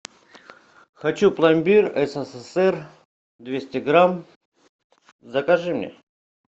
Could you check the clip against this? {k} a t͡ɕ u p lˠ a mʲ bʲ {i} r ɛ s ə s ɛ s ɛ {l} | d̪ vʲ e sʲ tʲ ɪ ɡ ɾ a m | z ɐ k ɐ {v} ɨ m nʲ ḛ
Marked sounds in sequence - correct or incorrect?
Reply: incorrect: x, correct, incorrect: r, incorrect: ʐ

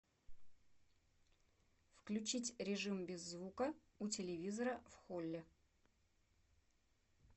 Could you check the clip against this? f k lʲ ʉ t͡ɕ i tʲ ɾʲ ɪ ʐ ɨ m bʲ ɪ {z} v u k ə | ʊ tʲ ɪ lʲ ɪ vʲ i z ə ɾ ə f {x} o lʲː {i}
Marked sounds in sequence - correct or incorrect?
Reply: incorrect: zː, correct, incorrect: ɪ

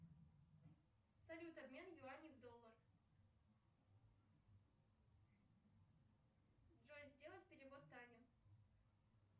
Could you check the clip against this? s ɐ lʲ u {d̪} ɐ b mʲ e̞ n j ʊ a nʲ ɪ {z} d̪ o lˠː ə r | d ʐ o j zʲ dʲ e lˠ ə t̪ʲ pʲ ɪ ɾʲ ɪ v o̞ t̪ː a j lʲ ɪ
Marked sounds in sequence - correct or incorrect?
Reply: incorrect: t̪, incorrect: v

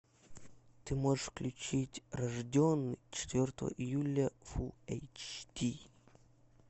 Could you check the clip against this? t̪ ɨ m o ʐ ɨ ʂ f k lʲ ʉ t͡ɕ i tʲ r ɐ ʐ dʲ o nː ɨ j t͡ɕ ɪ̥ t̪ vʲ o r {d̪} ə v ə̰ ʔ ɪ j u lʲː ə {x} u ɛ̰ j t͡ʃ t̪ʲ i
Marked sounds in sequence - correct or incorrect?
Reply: incorrect: t̪, incorrect: f

